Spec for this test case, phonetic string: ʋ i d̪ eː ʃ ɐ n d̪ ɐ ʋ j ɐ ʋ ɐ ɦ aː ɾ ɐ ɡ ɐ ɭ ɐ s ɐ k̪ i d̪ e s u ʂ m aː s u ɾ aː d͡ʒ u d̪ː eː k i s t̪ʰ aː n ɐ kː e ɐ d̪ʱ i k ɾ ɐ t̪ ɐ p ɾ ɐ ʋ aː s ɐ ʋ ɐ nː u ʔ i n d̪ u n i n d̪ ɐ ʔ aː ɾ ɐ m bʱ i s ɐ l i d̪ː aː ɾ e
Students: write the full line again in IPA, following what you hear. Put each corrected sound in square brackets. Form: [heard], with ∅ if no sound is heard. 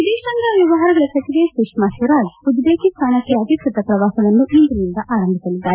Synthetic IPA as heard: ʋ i d̪ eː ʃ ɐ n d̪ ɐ ʋ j ɐ ʋ ɐ ɦ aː ɾ ɐ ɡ ɐ ɭ ɐ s ɐ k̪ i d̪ e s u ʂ m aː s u ɾ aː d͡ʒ u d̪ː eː k i s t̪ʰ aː n ɐ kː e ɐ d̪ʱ i k ɾ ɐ t̪ ɐ p ɾ ɐ ʋ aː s ɐ ʋ ɐ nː u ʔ i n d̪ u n i n d̪ ɐ ʔ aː ɾ ɐ m bʱ i s ɐ l i d̪ː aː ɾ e